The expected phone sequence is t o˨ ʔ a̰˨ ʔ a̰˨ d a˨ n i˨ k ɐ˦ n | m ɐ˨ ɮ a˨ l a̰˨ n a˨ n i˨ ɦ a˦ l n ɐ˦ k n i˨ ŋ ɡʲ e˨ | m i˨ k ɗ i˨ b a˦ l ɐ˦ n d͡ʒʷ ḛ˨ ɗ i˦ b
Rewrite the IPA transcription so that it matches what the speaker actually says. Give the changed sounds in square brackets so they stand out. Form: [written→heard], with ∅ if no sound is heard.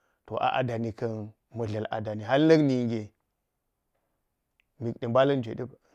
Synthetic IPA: t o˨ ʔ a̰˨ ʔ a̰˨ d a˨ n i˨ k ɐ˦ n | m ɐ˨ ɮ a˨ l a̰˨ [n→d] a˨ n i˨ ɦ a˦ l n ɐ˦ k n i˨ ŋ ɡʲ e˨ | m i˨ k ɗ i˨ b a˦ l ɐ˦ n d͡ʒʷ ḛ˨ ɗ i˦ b